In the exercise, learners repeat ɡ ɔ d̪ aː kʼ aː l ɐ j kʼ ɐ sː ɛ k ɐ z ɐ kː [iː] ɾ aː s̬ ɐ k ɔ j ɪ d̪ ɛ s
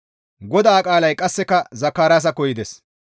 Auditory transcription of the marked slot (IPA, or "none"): aː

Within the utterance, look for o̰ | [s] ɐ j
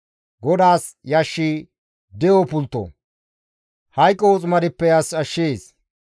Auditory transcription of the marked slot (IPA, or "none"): h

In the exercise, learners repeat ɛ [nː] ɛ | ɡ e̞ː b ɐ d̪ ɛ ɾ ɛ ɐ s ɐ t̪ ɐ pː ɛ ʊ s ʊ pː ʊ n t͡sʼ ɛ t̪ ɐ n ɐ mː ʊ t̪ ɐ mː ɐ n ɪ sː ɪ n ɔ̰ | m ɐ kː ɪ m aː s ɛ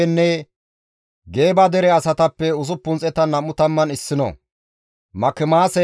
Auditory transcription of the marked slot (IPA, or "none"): nː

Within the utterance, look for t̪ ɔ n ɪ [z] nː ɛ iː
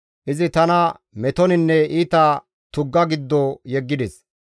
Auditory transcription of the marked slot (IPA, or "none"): none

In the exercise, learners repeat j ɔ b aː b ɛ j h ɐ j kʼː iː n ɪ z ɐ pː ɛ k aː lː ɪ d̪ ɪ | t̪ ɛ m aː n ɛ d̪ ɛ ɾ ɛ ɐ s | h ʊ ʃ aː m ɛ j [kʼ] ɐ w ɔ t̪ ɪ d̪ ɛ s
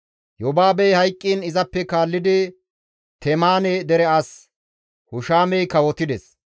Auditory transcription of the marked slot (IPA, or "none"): k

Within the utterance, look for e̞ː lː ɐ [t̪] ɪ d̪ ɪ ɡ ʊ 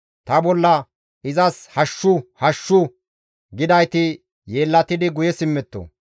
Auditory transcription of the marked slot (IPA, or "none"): t̪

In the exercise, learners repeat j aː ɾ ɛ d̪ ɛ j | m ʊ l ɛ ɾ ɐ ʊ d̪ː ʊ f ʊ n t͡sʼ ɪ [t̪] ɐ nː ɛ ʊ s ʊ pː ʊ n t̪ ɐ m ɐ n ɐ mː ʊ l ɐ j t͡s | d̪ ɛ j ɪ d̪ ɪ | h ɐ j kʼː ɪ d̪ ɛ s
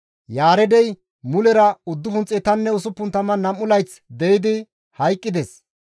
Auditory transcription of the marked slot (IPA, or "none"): t̪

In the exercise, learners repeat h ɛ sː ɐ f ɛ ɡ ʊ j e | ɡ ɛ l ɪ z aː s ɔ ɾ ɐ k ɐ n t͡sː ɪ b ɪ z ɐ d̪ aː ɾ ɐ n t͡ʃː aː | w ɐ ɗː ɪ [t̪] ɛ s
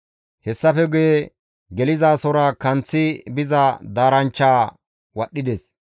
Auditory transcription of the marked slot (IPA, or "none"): d̪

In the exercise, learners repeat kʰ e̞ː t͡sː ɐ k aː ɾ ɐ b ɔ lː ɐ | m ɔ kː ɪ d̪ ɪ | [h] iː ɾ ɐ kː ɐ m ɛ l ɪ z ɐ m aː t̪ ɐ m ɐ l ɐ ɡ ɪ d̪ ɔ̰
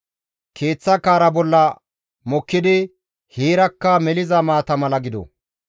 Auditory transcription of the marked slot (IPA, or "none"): h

